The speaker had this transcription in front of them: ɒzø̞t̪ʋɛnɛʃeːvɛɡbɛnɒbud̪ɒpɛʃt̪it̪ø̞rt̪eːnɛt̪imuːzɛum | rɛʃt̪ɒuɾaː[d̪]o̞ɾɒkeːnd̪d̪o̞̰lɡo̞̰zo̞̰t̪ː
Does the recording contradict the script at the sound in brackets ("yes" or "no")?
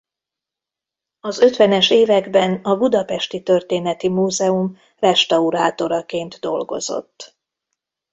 yes